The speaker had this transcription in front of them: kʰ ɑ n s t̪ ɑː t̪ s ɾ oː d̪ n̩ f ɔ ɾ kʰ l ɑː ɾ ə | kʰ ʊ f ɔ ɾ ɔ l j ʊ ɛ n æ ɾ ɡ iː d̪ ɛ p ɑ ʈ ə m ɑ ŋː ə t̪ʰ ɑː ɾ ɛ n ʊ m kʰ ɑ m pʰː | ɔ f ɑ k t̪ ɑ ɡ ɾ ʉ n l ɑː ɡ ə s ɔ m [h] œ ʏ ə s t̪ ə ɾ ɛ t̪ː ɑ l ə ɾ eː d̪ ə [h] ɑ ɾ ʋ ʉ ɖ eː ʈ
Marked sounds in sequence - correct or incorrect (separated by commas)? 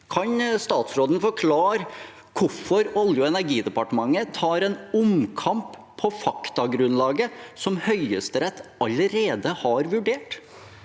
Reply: correct, correct